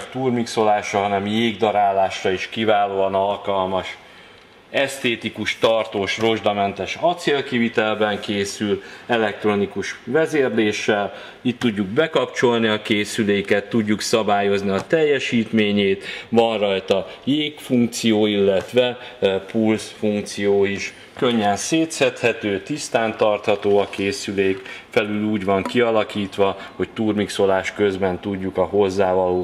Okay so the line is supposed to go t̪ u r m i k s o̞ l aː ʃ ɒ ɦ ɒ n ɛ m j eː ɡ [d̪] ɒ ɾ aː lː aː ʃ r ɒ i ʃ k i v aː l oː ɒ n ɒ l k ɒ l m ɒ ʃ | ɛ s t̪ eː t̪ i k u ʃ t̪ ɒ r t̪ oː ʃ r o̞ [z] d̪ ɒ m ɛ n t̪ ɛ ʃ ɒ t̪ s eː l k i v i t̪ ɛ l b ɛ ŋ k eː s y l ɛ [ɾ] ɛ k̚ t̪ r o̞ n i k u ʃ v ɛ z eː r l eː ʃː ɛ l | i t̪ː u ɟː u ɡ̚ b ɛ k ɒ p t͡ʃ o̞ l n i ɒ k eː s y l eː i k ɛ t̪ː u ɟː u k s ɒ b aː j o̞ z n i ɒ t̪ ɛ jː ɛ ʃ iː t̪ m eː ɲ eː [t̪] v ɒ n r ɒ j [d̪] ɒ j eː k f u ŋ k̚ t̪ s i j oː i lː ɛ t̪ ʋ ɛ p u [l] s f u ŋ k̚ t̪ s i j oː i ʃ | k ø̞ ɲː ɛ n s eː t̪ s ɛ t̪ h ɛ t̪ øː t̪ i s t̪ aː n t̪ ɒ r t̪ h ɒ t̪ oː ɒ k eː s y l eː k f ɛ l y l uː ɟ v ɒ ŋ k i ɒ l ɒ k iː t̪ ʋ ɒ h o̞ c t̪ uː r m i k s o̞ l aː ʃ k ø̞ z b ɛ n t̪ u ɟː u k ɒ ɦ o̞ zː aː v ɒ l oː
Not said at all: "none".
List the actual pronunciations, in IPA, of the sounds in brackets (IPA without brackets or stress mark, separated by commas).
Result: d̪, ʒ, l, t̪, t̪, l